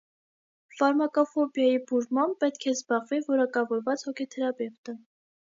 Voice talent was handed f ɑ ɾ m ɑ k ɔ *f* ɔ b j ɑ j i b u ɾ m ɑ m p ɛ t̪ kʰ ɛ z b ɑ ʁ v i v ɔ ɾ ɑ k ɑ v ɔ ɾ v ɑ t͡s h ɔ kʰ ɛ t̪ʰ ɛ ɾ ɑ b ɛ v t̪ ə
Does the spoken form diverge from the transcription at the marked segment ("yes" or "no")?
no